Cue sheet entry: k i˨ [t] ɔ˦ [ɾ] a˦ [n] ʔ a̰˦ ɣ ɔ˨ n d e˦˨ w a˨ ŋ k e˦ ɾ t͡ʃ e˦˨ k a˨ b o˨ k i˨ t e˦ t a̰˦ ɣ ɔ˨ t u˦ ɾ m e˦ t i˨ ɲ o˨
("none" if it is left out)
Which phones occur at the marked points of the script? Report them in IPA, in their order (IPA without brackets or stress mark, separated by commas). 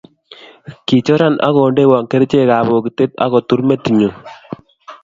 t͡ʃ, ɾ, n